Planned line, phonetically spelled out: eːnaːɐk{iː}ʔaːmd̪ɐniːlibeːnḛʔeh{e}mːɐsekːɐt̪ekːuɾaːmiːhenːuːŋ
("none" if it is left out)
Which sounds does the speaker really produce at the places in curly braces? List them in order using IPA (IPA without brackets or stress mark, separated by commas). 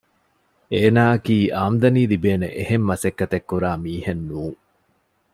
iː, e